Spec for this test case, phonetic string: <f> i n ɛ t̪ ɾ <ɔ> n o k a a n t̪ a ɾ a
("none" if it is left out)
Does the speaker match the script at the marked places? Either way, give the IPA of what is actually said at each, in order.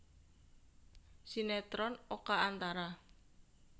s, ɔ

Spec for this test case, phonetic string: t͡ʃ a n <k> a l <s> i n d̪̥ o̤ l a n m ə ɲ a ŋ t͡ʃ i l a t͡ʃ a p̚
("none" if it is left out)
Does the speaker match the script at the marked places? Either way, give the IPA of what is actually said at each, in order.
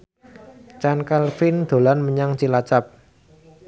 k, f

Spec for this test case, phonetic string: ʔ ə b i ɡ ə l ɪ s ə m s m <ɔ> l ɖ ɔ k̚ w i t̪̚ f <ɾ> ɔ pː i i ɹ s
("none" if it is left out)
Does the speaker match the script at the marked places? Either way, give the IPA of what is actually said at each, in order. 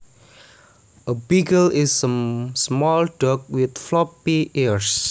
ɔ, l

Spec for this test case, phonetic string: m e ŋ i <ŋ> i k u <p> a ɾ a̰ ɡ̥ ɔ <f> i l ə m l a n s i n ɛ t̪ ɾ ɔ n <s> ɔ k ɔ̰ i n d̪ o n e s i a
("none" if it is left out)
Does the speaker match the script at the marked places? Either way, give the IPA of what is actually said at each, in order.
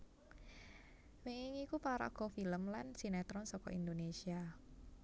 ŋ, p, f, s

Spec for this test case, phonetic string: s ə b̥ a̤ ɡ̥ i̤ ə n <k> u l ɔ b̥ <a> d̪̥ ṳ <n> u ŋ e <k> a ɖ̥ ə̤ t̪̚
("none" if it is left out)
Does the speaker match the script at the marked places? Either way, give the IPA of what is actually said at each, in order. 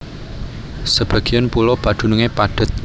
p, a, n, p

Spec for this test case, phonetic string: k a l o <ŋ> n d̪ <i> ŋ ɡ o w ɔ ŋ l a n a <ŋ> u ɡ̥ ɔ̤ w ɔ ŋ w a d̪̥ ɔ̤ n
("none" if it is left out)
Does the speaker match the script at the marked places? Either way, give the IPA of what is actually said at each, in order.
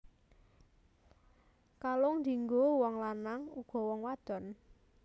ŋ, i, ŋ

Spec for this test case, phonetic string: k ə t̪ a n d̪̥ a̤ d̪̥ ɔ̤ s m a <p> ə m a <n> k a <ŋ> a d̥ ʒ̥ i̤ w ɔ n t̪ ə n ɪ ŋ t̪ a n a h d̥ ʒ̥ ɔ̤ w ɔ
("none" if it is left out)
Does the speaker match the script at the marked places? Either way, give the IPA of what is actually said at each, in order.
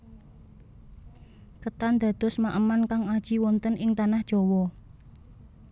ʔ, n, ŋ

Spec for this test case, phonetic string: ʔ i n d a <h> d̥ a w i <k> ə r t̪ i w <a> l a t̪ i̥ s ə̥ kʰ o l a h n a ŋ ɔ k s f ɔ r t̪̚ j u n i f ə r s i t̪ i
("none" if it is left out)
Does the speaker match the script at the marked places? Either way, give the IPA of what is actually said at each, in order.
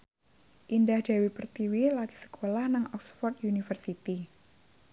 h, p, i

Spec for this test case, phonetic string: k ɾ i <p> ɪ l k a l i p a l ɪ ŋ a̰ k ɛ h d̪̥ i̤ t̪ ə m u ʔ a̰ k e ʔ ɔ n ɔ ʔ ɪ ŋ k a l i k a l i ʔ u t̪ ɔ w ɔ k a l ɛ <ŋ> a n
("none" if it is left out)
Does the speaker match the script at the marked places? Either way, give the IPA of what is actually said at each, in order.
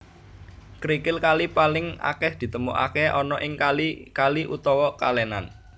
k, n

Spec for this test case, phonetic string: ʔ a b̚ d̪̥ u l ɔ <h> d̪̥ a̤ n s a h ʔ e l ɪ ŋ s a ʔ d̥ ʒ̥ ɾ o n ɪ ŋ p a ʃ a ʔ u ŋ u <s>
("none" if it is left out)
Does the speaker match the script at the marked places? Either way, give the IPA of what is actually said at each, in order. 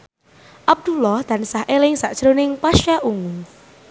h, none

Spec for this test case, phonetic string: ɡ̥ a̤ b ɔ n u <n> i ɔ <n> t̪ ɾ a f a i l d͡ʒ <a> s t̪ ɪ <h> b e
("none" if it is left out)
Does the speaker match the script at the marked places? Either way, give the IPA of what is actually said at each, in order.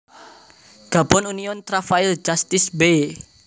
n, n, a, s

